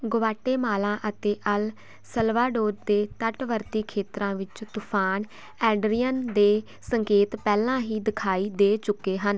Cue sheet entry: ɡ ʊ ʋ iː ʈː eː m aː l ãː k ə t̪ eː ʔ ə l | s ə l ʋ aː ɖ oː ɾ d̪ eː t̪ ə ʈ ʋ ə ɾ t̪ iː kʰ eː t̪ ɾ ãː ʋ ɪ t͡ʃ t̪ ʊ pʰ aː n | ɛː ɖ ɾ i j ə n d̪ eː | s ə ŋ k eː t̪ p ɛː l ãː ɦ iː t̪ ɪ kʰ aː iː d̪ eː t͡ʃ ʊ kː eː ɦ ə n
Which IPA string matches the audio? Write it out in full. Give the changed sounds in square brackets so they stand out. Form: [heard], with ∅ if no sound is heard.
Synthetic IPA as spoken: ɡ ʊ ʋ [aː] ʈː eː m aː l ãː [ʔ] ə t̪ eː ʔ ə l | s ə l ʋ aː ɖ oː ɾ d̪ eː t̪ ə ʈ ʋ ə ɾ t̪ iː kʰ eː t̪ ɾ ãː ʋ ɪ t͡ʃ t̪ ʊ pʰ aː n | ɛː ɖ ɾ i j ə n d̪ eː | s ə ŋ k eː t̪ p ɛː l ãː ɦ iː [d̪] ɪ kʰ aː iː d̪ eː t͡ʃ ʊ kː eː ɦ ə n